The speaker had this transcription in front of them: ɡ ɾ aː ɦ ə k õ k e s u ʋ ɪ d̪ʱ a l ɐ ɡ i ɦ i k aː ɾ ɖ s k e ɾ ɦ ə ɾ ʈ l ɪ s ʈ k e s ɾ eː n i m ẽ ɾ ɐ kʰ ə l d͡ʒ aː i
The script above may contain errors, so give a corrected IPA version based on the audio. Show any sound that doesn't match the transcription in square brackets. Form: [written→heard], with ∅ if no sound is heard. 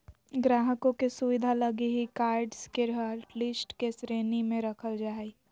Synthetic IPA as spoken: ɡ ɾ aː ɦ ə k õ k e s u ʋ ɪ d̪ʱ a l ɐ ɡ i ɦ i k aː ɾ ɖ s k e ɾ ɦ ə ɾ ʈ l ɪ s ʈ k e s ɾ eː n i m ẽ ɾ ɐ kʰ ə l d͡ʒ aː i